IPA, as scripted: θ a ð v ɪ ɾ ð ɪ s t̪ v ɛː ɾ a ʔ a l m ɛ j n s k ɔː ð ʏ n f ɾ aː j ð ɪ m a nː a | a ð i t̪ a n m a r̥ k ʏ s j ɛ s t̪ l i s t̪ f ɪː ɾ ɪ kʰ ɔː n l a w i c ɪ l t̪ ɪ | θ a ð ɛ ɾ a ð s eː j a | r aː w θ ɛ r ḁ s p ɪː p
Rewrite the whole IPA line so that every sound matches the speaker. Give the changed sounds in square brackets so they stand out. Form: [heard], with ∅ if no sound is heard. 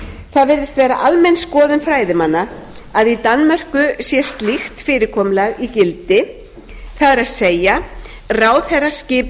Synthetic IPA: θ a ð v ɪ ɾ ð ɪ s t̪ v ɛː ɾ a ʔ a l m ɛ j n s k ɔː ð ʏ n f ɾ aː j ð ɪ m a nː a | a ð i t̪ a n m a r̥ k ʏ s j ɛ s t̪ l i [x] t̪ f ɪː ɾ ɪ kʰ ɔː [m] l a [ɣ] i c ɪ l t̪ ɪ | θ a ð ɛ ɾ a ð s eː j a | r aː w θ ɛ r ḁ s [c] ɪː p

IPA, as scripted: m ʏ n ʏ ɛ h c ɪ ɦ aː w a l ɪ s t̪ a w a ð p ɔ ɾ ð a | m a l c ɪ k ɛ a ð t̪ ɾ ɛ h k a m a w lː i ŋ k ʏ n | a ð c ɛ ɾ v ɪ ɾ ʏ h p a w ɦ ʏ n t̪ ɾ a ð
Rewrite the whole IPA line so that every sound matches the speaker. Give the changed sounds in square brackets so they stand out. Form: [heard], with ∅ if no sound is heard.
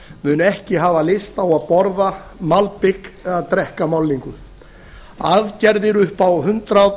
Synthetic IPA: m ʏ n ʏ ɛ h c ɪ ɦ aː [v] a l ɪ s t̪ a w a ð p ɔ ɾ ð a | m a l [p] ɪ k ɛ a ð t̪ ɾ ɛ h k a m a w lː i ŋ k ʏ [∅] | a ð c ɛ ɾ [ð] ɪ ɾ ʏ h p a w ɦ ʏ n t̪ ɾ a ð

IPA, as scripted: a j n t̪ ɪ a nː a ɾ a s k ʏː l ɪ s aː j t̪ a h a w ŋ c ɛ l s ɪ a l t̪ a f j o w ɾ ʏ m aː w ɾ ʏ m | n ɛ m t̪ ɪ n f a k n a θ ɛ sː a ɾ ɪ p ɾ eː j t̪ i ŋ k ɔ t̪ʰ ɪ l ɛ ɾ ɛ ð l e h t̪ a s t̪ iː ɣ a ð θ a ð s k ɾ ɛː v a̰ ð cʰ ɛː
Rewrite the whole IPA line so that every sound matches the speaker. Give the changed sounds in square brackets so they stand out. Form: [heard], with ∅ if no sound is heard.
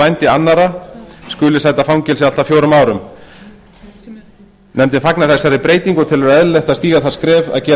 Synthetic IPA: a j n t̪ ɪ a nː a ɾ a s k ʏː l ɪ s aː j t̪ a [f] a w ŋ c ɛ l s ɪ a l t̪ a f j o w ɾ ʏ m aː w ɾ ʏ m | n ɛ m t̪ ɪ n f a k n a θ ɛ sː a ɾ ɪ p ɾ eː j t̪ i ŋ k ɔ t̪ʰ ɪ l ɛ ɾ ɛ ð l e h t̪ a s t̪ iː ɣ a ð θ a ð s k ɾ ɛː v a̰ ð [c] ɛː

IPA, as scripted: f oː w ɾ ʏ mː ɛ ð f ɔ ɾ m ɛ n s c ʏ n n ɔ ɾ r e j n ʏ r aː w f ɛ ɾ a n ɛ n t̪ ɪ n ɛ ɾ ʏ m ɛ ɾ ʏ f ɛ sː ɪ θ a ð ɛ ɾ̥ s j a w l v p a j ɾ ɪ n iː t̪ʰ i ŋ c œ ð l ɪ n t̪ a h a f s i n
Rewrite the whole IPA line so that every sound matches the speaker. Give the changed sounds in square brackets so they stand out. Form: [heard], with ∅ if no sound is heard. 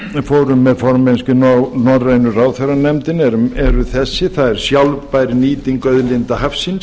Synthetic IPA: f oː w ɾ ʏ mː ɛ ð f ɔ ɾ m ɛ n s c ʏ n n ɔ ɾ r e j n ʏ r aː w [θ] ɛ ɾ a n ɛ [m] t̪ ɪ n ɛ ɾ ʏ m ɛ ɾ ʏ [θ] ɛ sː ɪ θ a ð ɛ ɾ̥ s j a w l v p a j ɾ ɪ n iː [t̪] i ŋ [k] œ ð l ɪ n t̪ a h a f s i n

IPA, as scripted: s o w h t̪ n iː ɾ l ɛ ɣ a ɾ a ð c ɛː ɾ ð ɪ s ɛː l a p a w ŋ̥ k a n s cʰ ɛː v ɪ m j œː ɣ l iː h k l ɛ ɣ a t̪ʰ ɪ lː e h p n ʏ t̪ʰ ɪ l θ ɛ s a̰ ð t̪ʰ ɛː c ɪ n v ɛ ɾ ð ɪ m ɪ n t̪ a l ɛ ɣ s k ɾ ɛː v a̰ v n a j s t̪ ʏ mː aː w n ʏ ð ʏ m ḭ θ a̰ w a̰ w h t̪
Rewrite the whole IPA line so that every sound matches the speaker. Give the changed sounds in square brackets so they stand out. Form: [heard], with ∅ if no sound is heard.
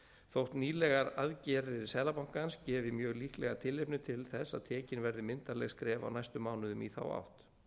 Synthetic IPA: [θ] o w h t̪ n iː [∅] l ɛ ɣ a ɾ a ð c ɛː ɾ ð ɪ s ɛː l a p a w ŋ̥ k a n s [c] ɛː v ɪ m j œː ɣ l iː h k l ɛ ɣ a t̪ʰ ɪ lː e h p n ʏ t̪ʰ ɪ l θ ɛ s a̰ ð t̪ʰ ɛː c ɪ n v ɛ ɾ ð ɪ m ɪ n t̪ a l ɛ ɣ s k ɾ ɛː v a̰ [w] n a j s t̪ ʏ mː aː w n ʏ ð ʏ m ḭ θ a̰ w a̰ w h t̪

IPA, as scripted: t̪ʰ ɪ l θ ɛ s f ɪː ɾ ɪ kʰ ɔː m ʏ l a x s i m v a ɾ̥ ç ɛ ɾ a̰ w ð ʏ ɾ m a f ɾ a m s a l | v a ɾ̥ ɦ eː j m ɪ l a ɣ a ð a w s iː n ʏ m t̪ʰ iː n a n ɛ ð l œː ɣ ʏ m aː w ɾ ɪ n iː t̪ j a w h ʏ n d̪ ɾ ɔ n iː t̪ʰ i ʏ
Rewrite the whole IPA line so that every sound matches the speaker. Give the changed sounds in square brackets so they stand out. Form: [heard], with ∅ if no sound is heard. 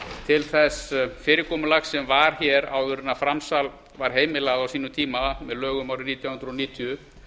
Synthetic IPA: t̪ʰ ɪ l θ ɛ s f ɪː ɾ ɪ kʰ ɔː m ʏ l a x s [ɛ] m v a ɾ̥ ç ɛ ɾ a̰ w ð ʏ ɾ [n] a f ɾ a m s a l | v a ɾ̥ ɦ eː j m ɪ l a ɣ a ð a w s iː n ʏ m t̪ʰ iː [m] a [m] ɛ ð l œː ɣ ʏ m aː w ɾ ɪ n iː t̪ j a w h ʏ n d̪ ɾ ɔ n iː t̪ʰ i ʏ

